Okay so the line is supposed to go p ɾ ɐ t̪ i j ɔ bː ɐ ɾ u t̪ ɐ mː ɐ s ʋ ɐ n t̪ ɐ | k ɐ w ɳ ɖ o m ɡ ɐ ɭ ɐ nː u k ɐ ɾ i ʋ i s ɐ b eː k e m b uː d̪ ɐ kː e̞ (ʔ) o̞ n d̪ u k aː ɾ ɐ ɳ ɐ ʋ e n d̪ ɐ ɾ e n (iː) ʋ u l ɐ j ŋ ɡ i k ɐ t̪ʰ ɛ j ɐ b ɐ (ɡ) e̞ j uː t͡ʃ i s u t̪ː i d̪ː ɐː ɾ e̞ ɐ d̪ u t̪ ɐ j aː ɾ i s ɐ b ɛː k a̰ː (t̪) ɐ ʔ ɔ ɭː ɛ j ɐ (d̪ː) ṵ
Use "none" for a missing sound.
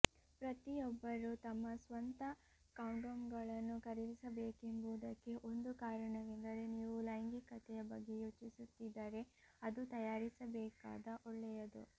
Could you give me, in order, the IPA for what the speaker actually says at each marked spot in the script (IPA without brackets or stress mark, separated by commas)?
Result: ʔ, iː, ɡː, d̪, d̪